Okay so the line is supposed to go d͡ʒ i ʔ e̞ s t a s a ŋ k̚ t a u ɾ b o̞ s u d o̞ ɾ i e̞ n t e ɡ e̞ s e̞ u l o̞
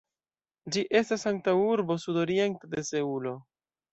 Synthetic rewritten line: d͡ʒ i ʔ e̞ s t a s a ŋ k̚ t a u ɾ b o̞ s u d o̞ ɾ i e̞ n t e d e̞ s e̞ u l o̞